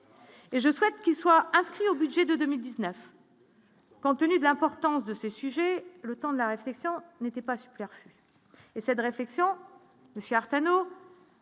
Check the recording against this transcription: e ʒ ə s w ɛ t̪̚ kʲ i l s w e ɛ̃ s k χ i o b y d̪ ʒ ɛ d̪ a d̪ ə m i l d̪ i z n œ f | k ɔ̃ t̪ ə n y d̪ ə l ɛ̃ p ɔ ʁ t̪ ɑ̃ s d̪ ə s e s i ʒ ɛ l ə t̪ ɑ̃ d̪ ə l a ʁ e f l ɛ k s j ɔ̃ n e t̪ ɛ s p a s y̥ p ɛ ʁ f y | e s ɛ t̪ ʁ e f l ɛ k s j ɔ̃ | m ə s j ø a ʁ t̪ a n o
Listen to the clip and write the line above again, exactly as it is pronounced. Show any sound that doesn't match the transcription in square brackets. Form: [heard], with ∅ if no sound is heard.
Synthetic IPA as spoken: e ʒ ə s w ɛ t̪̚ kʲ i l s w [a] ɛ̃ s k χ i o b y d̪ ʒ ɛ d̪ [ə] d̪ ə m i l d̪ i z n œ f | k ɔ̃ t̪ ə n y d̪ ə l ɛ̃ p ɔ ʁ t̪ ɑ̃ s d̪ ə s e s [y] ʒ ɛ l ə t̪ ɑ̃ d̪ ə l a ʁ e f l ɛ k s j ɔ̃ n e t̪ ɛ [∅] p a s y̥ p ɛ ʁ f y | e s ɛ t̪ ʁ e f l ɛ k s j ɔ̃ | m ə s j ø a ʁ t̪ a n o